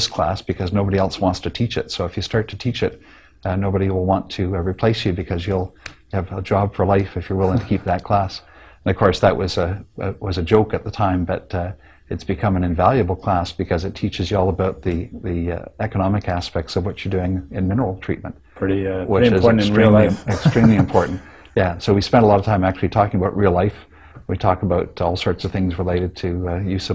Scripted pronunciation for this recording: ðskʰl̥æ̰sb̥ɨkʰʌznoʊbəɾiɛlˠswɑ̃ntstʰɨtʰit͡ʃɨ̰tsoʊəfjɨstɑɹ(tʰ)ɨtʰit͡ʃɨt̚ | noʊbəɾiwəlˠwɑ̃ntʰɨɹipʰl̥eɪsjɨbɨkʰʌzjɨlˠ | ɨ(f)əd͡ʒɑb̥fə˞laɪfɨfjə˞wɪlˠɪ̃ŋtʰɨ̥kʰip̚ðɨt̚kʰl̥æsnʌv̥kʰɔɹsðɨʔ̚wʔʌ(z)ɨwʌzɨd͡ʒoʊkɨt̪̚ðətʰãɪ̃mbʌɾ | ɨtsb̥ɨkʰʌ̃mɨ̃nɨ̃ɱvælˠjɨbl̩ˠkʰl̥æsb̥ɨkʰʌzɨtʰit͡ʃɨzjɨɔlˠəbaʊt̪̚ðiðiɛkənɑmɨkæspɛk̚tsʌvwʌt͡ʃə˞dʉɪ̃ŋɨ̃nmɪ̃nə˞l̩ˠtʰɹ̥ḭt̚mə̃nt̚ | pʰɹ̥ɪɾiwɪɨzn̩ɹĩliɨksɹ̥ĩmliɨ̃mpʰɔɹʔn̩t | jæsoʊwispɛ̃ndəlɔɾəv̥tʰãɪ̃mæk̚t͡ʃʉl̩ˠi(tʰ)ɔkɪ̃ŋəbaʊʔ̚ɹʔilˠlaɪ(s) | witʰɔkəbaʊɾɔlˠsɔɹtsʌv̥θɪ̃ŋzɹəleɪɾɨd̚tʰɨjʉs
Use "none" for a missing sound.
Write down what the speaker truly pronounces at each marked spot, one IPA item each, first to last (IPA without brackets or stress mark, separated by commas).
tʰ, v, z, tʰ, f